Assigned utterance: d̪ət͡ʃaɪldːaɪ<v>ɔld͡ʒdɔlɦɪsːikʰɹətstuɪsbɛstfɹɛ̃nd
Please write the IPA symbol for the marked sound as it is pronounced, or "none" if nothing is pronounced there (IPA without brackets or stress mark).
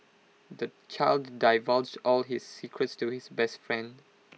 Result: v